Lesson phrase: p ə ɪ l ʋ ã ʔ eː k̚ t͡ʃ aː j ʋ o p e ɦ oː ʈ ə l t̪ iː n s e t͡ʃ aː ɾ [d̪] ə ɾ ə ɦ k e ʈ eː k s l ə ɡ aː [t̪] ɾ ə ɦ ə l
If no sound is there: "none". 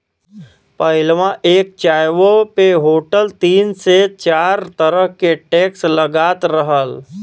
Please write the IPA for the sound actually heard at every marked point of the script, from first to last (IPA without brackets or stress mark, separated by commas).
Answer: t̪, t̪